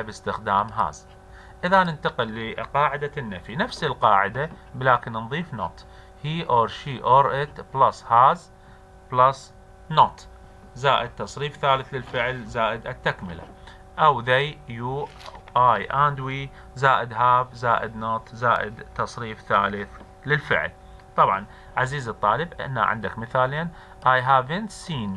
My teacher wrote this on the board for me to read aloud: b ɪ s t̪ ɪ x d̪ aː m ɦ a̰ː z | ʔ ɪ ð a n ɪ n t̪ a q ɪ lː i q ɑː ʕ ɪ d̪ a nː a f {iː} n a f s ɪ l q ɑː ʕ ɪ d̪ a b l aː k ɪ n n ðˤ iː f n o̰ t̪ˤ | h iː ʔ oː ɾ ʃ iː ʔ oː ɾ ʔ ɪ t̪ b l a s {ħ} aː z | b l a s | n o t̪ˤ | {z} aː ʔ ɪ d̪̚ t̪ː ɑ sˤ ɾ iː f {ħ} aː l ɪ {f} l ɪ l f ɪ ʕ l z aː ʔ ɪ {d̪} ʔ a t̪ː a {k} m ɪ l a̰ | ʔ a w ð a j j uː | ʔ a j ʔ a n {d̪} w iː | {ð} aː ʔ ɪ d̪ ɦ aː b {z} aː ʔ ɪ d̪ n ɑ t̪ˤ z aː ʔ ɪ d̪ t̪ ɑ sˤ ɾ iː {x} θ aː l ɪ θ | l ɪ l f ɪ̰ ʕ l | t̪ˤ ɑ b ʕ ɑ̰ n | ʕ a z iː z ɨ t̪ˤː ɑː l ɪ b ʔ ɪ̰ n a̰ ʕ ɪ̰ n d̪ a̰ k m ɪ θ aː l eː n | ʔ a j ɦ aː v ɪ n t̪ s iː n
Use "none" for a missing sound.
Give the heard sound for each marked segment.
i, h, z, θ, θ, d̪, k, d̪, z, z, f

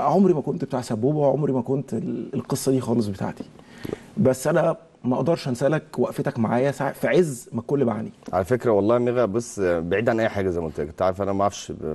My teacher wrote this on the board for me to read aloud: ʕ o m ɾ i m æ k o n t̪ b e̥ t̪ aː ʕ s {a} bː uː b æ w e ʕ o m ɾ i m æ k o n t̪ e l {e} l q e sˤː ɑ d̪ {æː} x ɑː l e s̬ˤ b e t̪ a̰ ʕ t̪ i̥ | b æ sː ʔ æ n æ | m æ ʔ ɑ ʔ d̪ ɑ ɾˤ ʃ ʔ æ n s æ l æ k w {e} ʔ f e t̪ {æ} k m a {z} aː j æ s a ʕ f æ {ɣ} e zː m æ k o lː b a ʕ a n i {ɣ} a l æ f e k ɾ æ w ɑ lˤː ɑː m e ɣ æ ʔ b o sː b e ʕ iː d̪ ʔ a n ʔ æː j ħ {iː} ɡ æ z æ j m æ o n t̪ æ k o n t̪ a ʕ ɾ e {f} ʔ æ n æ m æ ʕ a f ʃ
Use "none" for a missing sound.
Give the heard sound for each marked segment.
æ, e, iː, æ, æ, ʕ, ʕ, ʕ, aː, f

